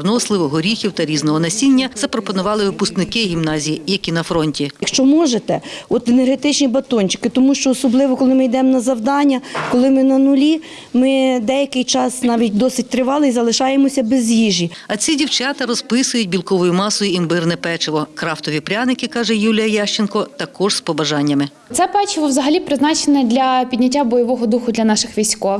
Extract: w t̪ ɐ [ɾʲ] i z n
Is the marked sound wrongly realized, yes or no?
no